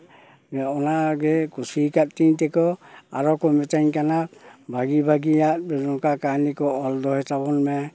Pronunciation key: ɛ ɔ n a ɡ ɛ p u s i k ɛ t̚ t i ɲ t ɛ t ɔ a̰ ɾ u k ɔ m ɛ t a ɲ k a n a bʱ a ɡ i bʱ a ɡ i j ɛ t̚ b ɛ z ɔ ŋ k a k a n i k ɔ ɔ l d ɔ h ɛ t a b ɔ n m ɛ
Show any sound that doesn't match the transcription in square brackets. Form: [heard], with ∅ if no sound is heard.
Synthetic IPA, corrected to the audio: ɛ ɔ n a ɡ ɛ [k] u s i k [a] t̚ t i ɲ t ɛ [k] ɔ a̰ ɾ [ɔ] k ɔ m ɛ t a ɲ k a n a bʱ a ɡ i bʱ a ɡ i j [a] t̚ b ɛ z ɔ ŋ k a k a n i k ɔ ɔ l d ɔ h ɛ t a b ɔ n m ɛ